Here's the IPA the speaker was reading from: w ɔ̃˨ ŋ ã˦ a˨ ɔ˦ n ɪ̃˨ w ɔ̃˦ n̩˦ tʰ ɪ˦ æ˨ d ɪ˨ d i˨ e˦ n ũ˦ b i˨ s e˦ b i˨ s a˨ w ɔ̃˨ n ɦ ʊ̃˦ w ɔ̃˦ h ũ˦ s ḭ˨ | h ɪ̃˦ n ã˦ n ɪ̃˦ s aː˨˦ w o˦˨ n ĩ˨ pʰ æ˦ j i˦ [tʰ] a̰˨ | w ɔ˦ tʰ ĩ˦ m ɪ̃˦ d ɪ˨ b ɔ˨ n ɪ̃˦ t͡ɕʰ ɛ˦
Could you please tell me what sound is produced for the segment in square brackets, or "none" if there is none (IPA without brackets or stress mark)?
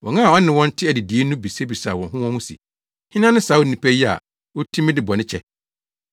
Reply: none